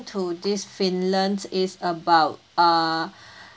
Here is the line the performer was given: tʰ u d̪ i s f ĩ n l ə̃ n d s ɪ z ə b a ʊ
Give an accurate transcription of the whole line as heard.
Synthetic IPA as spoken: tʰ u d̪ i s f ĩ n l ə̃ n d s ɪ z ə b a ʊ